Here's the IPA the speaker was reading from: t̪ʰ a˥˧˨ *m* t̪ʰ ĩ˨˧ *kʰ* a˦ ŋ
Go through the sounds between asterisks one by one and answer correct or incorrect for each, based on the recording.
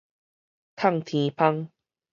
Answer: incorrect: ŋ, incorrect: pʰ

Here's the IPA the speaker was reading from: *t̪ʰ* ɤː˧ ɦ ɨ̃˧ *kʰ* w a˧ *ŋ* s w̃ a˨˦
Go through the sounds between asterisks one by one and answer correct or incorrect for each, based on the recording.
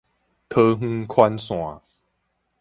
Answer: correct, correct, incorrect: n

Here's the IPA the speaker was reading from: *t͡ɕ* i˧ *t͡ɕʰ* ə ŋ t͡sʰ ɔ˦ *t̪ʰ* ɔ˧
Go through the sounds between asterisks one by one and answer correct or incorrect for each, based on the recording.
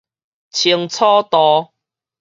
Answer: incorrect: t͡ɕʰ, incorrect: none, incorrect: t̪

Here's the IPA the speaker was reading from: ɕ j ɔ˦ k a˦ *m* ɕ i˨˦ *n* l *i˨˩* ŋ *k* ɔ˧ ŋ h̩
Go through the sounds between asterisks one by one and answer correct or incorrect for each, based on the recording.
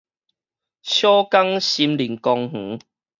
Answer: incorrect: ŋ, incorrect: m, correct, correct

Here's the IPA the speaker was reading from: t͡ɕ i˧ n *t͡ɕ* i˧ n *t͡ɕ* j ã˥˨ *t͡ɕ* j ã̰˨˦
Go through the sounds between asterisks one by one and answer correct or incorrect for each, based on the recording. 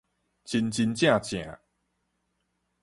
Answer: correct, correct, correct

